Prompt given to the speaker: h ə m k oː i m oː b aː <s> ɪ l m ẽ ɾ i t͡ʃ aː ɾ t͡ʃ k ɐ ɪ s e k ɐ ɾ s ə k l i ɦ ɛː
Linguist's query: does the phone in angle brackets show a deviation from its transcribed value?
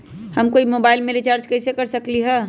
yes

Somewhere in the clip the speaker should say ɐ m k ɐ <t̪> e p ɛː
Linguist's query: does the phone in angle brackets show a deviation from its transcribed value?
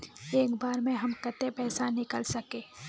no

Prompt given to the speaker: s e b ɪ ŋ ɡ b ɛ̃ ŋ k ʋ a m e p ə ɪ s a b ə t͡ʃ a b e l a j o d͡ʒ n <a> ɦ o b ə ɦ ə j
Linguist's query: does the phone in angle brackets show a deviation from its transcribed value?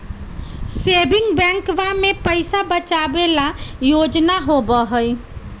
no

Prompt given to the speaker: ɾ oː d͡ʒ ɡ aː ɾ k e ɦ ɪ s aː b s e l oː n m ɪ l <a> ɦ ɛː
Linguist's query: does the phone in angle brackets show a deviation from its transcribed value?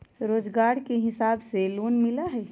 no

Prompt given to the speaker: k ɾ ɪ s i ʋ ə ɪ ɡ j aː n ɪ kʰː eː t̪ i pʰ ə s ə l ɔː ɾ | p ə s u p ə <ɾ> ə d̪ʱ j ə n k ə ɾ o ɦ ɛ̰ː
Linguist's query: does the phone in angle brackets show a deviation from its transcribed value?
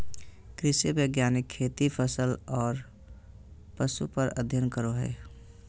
no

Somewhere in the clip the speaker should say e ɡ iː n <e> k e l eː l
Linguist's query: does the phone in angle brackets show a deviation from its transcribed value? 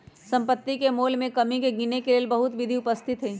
no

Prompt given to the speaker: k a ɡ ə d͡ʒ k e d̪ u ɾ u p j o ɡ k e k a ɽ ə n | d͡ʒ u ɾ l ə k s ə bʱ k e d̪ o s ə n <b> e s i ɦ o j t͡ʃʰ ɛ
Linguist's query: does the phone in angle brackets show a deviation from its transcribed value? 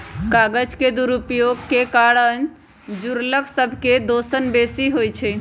no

